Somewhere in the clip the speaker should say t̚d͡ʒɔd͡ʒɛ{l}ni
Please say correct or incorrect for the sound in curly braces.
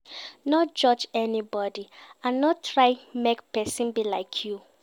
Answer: incorrect